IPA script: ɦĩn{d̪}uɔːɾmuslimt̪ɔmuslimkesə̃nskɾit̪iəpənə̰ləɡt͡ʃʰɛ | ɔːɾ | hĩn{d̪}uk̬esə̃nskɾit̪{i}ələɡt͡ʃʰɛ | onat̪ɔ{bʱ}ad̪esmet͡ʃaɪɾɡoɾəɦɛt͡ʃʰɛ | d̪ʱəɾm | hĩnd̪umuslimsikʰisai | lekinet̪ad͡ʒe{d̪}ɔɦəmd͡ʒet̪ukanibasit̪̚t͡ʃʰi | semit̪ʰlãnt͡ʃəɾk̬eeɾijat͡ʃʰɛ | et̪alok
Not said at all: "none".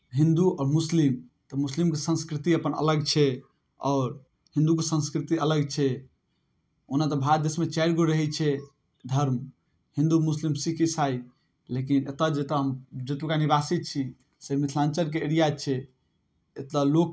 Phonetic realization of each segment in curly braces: d̪, d̪, i, bʱ, t̪

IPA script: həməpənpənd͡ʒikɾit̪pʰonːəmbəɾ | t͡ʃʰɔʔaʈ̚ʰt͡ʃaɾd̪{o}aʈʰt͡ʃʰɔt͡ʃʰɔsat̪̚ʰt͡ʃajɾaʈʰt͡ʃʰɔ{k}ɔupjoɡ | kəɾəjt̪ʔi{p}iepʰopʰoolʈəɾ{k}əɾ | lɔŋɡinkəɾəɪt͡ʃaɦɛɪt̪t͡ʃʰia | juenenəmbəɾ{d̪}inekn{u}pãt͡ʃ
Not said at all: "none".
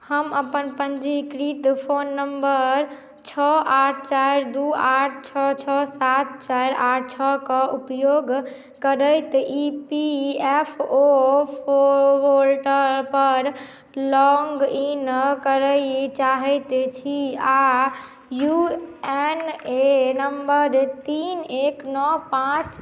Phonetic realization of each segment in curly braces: u, k, p, p, t̪, ɔ

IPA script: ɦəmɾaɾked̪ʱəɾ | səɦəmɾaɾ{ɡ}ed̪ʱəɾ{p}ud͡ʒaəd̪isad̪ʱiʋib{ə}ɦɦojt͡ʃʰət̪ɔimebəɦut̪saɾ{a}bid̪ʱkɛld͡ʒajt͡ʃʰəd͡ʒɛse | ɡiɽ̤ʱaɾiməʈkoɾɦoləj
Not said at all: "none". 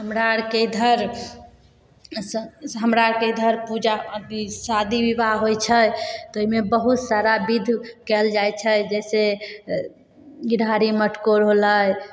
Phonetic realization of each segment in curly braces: k, p, a, a

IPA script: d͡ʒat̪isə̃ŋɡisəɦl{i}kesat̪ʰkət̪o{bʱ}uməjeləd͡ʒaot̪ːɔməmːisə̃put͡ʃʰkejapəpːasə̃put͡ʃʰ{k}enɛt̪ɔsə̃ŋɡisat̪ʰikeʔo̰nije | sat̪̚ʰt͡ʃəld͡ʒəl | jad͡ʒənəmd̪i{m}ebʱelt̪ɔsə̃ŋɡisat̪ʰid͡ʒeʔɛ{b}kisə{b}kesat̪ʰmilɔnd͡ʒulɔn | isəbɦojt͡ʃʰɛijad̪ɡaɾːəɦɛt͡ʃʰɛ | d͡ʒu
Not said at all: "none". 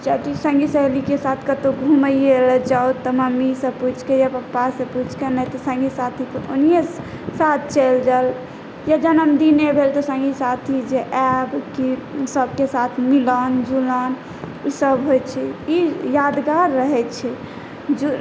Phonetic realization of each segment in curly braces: i, ɡʱ, k, n, b, b

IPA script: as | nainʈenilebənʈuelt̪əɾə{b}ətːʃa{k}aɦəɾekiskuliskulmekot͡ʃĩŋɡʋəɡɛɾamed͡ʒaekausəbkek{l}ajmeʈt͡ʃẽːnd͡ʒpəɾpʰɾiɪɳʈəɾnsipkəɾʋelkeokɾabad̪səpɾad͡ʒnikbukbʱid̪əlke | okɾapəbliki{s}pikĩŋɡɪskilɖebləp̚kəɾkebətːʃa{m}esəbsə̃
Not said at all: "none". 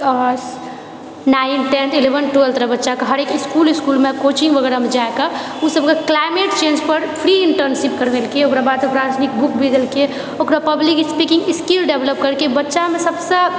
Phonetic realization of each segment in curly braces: b, k, l, s, m

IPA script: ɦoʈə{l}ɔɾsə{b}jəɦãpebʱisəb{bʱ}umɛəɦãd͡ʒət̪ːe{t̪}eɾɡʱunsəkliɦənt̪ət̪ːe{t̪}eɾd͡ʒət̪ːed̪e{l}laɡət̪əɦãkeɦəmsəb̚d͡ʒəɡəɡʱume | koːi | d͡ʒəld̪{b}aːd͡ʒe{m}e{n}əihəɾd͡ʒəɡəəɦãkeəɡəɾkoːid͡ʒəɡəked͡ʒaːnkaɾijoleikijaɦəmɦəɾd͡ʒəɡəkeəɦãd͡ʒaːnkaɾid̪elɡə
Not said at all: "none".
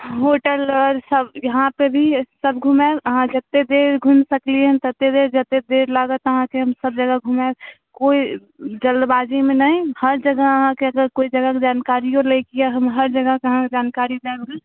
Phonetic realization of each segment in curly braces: l, b, ɡʱ, d̪, d̪, ɾ, b, m, n

